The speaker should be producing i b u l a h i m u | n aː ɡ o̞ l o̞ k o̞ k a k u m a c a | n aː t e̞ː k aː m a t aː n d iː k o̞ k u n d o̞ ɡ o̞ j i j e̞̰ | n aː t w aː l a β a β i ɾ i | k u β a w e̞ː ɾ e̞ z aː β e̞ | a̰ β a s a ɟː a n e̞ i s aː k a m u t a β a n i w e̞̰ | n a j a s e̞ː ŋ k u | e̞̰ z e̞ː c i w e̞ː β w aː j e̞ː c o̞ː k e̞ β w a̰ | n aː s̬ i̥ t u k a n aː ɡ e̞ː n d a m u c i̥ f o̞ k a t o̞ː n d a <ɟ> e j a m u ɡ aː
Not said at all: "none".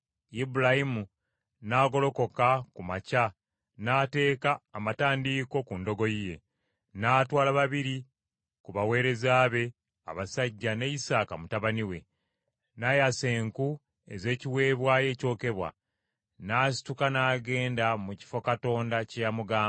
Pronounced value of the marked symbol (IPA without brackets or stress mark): c